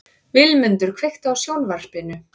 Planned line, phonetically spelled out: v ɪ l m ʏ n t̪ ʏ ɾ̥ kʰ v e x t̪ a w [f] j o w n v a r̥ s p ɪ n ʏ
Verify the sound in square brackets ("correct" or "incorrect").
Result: incorrect